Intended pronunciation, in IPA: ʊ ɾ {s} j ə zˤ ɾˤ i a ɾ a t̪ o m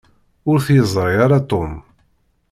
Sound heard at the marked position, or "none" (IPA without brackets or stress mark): θ